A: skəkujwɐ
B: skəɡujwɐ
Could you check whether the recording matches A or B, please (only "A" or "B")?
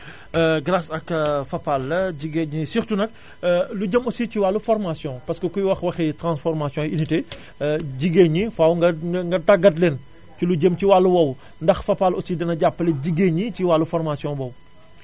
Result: A